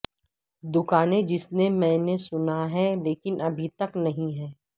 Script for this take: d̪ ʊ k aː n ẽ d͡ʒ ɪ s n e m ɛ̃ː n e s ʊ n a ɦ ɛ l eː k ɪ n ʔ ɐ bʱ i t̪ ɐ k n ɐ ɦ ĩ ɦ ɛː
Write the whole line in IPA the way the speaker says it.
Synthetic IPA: d̪ ʊ k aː n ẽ d͡ʒ ɪ s n e m ɛ̃ː n e s ʊ n a ɦ ɛ l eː k ɪ n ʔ ɐ bʱ i t̪ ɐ k n ɐ ɦ ĩ ɦ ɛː